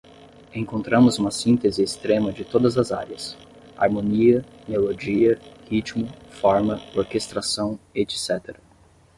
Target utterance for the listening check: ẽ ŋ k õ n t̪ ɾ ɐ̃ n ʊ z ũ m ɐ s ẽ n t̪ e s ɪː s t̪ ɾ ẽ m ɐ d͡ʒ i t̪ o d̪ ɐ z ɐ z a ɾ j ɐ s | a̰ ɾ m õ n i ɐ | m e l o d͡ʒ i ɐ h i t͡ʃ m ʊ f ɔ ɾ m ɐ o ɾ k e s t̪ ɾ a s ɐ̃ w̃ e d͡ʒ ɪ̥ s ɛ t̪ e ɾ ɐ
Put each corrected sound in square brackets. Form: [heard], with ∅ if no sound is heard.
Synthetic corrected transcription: ẽ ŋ k õ n t̪ ɾ ɐ̃ [m] ʊ z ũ m ɐ s [ĩ] n t̪ e [z] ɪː s t̪ ɾ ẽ m ɐ d͡ʒ [ɪ] t̪ o d̪ ɐ z ɐ z a ɾ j ɐ s | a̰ ɾ m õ n i ɐ | m e l o d͡ʒ i ɐ h i t͡ʃ m ʊ f ɔ ɾ m ɐ o ɾ k e s t̪ ɾ a s ɐ̃ w̃ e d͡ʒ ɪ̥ s ɛ t̪ e ɾ ɐ